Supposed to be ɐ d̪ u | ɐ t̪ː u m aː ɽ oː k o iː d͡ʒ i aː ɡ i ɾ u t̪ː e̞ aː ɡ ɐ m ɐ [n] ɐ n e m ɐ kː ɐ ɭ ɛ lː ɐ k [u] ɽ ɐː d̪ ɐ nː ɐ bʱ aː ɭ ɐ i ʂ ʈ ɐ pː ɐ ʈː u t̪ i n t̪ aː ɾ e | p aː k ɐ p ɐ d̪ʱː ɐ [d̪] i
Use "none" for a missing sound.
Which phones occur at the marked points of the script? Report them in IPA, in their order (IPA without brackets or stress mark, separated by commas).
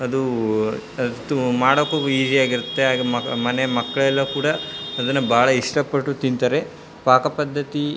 m, uː, t̪